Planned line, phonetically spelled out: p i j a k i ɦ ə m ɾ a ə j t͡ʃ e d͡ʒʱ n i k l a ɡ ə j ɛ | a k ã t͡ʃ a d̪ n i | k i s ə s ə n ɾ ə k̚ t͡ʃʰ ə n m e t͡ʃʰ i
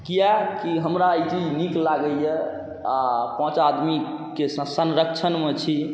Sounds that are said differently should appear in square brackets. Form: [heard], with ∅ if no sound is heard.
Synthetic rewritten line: [k] i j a k i ɦ ə m ɾ a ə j t͡ʃ [i] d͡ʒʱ n i k l a ɡ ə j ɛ | a [p] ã t͡ʃ a d̪ [m] i | k [e] s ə s ə n ɾ ə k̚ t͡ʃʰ ə n m e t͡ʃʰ i

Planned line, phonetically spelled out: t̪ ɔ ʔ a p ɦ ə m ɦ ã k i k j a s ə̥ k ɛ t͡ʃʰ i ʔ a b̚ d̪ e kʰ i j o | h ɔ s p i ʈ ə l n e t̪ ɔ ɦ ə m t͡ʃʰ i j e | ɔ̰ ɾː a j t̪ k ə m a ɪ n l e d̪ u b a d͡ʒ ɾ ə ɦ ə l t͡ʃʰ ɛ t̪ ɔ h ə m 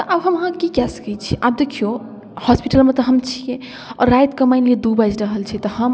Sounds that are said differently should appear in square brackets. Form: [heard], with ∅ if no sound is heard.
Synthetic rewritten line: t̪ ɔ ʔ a [b] ɦ ə m ɦ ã k i k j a s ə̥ k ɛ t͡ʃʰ i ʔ a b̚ d̪ e kʰ i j o | h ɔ s p i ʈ ə l [m] e t̪ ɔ ɦ ə m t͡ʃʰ i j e | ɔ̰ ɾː a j t̪ k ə m a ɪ n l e d̪ u b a d͡ʒ ɾ ə ɦ ə l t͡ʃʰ ɛ t̪ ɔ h ə m

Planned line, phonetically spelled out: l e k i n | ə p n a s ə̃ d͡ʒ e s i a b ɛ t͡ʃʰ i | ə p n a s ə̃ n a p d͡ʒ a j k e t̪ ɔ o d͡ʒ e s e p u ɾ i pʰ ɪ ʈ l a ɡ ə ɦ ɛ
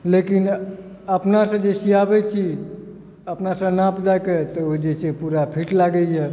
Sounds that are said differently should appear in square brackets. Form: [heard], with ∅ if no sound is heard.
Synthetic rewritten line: l e k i n | ə p n a s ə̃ d͡ʒ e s i a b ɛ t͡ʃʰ i | ə p n a s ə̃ n a p d͡ʒ a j k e t̪ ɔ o d͡ʒ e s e p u ɾ [a] pʰ [i] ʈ l a ɡ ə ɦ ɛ

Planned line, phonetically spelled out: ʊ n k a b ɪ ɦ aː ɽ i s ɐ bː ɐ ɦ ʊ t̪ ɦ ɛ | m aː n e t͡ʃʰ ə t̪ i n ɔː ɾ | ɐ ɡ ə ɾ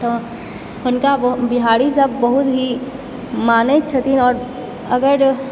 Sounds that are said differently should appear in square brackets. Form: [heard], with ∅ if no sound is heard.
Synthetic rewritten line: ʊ n k a b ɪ ɦ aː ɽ i s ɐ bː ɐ ɦ ʊ t̪ ɦ [i] | m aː n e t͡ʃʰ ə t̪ i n ɔː ɾ | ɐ ɡ ə ɾ

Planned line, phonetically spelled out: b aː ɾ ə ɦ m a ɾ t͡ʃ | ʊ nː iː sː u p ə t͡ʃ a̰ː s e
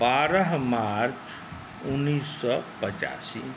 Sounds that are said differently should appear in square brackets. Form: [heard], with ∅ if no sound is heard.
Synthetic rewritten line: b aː ɾ ə ɦ m a ɾ t͡ʃ | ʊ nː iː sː [ɔ] p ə t͡ʃ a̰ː s [i]

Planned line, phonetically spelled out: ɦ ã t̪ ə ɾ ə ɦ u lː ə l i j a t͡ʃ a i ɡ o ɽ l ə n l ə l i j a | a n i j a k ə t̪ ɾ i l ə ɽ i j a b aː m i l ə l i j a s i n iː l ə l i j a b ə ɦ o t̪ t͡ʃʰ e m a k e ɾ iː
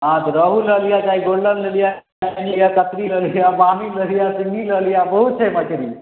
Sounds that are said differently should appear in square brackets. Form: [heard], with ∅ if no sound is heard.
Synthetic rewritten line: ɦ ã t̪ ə ɾ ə ɦ u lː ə l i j a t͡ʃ a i ɡ o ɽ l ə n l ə l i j a | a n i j a k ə t̪ ɾ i l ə [l] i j a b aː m i l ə l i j a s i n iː l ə l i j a b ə ɦ [u] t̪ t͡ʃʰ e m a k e ɾ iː

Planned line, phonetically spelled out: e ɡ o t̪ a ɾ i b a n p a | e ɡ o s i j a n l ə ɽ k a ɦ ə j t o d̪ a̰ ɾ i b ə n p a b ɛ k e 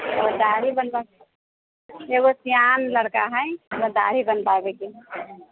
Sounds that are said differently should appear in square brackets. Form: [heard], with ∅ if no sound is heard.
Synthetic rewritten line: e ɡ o [d̪] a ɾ i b [ə] n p a | e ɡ o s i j a n l ə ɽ k a ɦ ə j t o d̪ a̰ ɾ i b ə n p a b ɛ k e

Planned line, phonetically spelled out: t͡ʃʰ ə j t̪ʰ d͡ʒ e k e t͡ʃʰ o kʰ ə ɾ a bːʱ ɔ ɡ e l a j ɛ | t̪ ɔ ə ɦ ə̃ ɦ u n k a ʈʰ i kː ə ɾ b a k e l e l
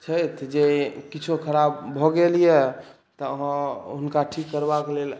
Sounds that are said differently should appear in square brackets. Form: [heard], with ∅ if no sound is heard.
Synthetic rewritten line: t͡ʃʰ ə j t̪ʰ d͡ʒ e k [i] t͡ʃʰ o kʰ ə ɾ a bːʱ ɔ ɡ e l [i] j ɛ | t̪ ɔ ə ɦ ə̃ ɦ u n k a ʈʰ i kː ə ɾ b a k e l e l

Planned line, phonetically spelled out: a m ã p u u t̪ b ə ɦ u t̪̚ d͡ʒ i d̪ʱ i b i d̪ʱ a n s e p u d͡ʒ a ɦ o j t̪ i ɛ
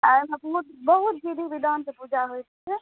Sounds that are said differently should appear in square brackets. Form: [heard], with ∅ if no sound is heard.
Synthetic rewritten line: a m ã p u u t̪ b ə ɦ u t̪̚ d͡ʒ i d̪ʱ i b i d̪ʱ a n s e p u d͡ʒ a ɦ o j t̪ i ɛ

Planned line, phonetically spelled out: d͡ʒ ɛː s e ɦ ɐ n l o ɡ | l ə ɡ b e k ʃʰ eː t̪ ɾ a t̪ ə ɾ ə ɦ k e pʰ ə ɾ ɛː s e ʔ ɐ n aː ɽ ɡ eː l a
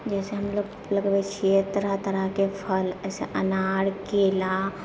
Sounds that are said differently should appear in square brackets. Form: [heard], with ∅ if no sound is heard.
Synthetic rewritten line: d͡ʒ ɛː s e ɦ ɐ [m] l o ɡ | l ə ɡ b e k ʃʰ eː t̪ ɾ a t̪ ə ɾ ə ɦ k e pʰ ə [l] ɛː s e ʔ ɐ n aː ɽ [k] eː l a

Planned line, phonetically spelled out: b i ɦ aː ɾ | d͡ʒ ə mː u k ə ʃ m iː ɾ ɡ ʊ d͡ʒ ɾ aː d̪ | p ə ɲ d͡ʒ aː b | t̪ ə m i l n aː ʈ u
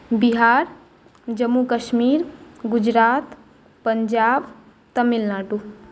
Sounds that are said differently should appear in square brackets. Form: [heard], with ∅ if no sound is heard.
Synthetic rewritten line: b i ɦ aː ɾ | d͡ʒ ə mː u k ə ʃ m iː ɾ ɡ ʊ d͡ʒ ɾ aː [t̪] | p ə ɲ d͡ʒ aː b | t̪ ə m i l n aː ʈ u

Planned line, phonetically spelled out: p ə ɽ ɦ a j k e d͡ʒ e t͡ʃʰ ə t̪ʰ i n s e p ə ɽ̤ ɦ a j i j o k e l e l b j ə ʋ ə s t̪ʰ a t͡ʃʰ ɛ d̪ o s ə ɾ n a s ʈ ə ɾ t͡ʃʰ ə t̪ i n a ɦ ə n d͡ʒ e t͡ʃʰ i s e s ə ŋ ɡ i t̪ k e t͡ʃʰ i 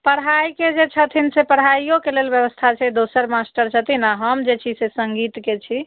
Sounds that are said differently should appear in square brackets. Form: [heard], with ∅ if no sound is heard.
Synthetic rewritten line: p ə ɽ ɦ a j k e d͡ʒ e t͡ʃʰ ə t̪ʰ i n s e p ə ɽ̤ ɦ a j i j o k e l e l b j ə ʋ ə s t̪ʰ a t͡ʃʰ ɛ d̪ o s ə ɾ [m] a s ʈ ə ɾ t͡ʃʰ ə t̪ i n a ɦ ə [m] d͡ʒ e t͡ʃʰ i s e s ə ŋ ɡ i t̪ k e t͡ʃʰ i

